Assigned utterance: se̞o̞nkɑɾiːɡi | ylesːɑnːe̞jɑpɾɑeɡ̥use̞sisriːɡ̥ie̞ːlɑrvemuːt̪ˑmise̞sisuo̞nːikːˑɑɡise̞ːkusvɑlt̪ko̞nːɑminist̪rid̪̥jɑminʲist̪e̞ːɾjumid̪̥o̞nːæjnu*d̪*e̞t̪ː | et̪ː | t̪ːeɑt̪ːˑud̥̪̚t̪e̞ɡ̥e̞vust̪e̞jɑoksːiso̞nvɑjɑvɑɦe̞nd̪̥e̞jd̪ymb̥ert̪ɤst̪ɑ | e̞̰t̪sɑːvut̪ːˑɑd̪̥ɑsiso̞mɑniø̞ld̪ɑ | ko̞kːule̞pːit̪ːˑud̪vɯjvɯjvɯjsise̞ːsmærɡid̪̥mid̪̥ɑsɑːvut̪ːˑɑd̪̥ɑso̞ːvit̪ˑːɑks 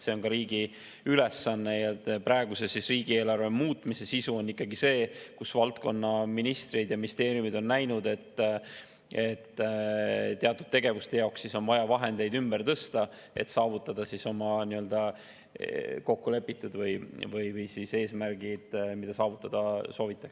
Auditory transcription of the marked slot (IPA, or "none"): d̪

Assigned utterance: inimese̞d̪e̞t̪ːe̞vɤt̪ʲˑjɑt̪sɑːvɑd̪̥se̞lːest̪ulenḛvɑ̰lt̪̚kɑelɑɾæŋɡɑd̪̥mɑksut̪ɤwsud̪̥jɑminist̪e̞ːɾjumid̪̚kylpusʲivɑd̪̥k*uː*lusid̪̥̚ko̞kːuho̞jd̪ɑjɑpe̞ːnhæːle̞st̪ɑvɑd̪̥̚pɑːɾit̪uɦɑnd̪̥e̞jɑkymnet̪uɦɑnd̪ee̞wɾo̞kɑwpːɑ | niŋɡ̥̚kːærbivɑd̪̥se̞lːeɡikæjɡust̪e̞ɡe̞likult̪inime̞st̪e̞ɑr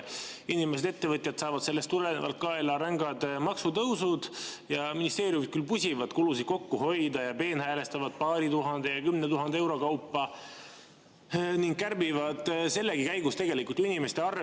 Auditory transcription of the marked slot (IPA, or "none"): u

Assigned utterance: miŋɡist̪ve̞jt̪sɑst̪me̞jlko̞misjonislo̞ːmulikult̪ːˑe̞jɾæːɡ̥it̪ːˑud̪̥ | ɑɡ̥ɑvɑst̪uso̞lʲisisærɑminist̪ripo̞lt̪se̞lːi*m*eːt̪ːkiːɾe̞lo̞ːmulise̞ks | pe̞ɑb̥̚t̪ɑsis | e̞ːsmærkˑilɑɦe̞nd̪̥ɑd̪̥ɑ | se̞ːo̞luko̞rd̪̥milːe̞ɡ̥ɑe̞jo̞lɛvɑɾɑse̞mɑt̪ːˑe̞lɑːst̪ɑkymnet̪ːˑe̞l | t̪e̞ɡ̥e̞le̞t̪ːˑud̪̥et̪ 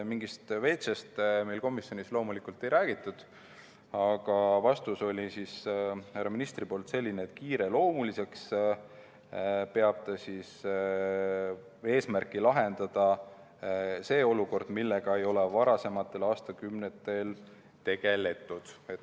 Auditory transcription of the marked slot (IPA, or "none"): n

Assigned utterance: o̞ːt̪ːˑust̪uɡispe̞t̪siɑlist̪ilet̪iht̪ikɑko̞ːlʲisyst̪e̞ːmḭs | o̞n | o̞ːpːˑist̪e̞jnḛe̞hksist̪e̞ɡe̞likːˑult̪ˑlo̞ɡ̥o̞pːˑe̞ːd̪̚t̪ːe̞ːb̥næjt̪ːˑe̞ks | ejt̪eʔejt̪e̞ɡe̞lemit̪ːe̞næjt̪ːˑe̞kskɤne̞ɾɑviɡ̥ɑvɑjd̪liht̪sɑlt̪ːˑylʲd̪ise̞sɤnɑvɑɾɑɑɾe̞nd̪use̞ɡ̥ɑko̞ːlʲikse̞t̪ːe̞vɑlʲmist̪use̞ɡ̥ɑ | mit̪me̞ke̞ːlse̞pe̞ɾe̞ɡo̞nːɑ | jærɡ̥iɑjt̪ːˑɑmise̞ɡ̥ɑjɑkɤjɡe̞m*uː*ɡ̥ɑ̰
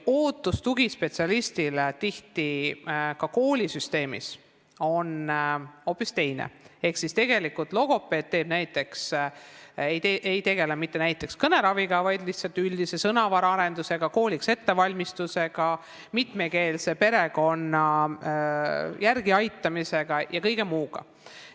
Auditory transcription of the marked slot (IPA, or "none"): uː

